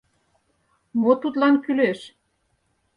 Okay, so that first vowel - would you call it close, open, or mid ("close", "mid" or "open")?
mid